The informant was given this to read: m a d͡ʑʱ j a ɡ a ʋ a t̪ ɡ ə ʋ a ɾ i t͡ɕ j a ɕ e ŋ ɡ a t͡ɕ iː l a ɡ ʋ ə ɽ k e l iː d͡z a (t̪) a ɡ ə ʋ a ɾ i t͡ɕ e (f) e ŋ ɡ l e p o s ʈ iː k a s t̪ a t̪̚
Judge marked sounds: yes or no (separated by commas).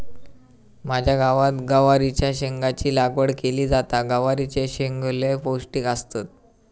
yes, no